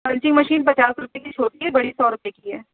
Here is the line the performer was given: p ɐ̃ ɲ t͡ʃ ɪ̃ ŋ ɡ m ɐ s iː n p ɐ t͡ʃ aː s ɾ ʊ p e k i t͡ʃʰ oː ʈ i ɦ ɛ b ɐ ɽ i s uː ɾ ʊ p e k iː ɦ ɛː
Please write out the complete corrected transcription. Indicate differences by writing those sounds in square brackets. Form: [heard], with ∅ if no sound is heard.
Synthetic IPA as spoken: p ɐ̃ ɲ t͡ʃ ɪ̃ ŋ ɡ m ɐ [ʃ] iː n p ɐ t͡ʃ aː s ɾ ʊ p e k i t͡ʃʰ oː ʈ i ɦ ɛ b ɐ ɽ i s [ɔː] ɾ ʊ p e k [i] ɦ ɛː

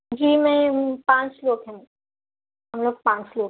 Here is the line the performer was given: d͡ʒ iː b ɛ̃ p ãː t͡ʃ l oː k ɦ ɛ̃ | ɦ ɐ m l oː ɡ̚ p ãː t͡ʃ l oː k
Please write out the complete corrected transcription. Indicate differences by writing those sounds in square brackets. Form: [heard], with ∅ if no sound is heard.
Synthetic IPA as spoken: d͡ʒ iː [m] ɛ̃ p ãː t͡ʃ l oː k ɦ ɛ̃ | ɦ ɐ m l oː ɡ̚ p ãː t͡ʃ l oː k

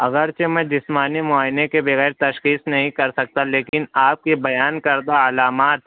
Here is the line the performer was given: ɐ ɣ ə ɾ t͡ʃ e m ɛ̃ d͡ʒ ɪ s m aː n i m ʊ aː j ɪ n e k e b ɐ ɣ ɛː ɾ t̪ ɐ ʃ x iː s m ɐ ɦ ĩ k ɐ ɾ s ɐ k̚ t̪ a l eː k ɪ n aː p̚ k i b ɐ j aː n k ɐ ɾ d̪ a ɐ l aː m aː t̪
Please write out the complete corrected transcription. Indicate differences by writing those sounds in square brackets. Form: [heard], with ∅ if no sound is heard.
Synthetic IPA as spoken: ɐ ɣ ə ɾ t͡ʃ e m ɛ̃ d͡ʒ ɪ s m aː n i m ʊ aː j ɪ n e k e b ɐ ɣ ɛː ɾ t̪ ɐ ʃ x iː s [n] ɐ ɦ ĩ k ɐ ɾ s ɐ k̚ t̪ a l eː k ɪ n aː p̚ k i b ɐ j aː n k ɐ ɾ d̪ a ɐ l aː m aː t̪

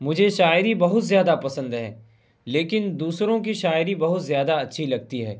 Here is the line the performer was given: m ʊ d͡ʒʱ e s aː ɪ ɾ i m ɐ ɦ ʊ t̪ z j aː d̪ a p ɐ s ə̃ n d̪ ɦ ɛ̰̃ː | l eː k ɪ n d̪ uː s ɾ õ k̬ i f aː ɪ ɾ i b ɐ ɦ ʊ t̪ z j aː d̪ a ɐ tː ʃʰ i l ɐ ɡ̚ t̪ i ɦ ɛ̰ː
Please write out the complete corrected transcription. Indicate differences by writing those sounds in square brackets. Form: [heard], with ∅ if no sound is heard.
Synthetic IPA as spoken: m ʊ d͡ʒʱ e [ʃ] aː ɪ ɾ i [b] ɐ ɦ ʊ t̪ z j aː d̪ a p ɐ s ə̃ n d̪ ɦ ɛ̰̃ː | l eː k ɪ n d̪ uː s ɾ õ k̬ i [ʃ] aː ɪ ɾ i b ɐ ɦ ʊ t̪ z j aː d̪ a ɐ tː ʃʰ i l ɐ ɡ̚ t̪ i ɦ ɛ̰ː

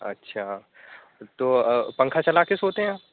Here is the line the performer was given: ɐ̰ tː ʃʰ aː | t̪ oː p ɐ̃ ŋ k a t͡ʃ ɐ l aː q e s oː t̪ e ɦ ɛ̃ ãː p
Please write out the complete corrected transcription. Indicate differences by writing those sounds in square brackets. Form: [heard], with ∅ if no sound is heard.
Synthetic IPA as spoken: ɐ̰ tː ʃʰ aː | t̪ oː p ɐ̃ ŋ [kʰ] a t͡ʃ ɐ l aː [k] e s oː t̪ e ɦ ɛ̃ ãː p

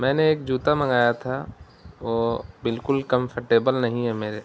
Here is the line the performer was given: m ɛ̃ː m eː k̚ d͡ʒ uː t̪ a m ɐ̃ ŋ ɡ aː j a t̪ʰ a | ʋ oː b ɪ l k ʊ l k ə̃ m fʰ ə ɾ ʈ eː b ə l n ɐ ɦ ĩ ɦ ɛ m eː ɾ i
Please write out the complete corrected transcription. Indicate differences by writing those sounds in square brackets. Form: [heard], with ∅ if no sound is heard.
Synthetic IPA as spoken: m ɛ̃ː [n] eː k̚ d͡ʒ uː t̪ a m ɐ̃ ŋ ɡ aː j a t̪ʰ a | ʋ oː b ɪ l k ʊ l k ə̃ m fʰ ə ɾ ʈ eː b ə l n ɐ ɦ ĩ ɦ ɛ m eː ɾ [e]

